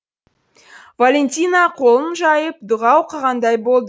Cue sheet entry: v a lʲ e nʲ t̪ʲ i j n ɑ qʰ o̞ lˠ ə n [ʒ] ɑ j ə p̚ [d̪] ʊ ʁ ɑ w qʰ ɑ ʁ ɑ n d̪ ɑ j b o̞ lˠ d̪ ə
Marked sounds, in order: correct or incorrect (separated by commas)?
correct, correct